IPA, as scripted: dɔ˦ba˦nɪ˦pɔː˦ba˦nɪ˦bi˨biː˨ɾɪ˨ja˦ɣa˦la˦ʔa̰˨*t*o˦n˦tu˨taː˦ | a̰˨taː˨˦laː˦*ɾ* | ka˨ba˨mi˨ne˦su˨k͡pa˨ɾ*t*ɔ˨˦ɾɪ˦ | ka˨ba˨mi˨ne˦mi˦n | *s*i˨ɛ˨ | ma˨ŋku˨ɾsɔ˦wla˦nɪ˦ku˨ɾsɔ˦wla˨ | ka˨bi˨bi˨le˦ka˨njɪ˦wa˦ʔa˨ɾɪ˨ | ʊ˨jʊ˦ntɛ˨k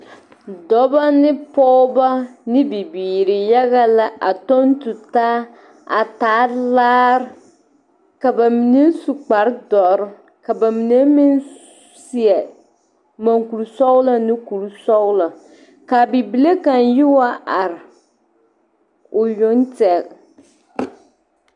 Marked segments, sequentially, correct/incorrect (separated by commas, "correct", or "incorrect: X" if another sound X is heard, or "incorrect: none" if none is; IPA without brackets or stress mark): correct, correct, incorrect: d, correct